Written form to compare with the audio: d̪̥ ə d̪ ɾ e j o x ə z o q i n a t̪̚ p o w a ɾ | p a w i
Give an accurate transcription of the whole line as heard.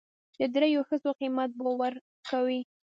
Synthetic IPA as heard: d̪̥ ə d̪ ɾ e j o x ə z o q i m a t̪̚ b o w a ɾ | k a w i

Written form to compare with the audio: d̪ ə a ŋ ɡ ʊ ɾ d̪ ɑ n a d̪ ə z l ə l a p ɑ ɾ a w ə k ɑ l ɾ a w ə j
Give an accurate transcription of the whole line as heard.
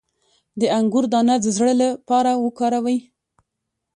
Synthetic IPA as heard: d̪ ə a ŋ ɡ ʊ ɾ d̪ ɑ n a d̪ ə z ɽ ə l a p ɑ ɾ a w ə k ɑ ɾ a w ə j

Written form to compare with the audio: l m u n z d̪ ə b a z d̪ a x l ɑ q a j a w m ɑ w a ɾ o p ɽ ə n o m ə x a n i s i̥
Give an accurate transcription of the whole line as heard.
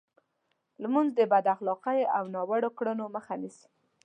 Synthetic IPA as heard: l m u n z d̪ ə b a d̪ a x l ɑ q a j a w n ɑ w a ɽ o k ɽ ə n o m ə x a n i s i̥

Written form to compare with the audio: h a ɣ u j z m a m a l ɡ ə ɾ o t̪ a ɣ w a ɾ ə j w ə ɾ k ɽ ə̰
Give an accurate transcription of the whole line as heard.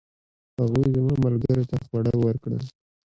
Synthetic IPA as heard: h a ɣ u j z m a m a l ɡ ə ɾ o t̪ a x w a ɽ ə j w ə ɾ k ɽ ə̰

